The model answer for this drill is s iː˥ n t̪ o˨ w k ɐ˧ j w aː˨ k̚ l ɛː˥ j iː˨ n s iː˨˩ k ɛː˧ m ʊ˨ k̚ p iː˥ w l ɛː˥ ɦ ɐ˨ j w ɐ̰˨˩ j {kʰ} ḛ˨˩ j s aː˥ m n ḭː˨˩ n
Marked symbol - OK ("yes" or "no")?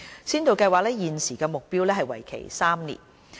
yes